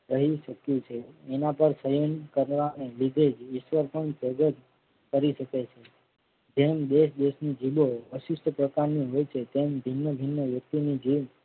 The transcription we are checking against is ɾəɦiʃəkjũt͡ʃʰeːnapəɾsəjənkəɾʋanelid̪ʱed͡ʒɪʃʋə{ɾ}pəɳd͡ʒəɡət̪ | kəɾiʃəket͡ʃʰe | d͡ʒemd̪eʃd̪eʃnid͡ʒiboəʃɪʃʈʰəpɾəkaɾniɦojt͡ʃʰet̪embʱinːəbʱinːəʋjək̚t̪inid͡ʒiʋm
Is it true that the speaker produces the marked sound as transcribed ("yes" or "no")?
yes